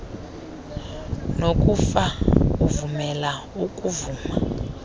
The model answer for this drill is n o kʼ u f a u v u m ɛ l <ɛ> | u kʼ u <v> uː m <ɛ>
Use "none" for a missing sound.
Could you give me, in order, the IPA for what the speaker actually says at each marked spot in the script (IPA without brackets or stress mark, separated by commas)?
a, v, a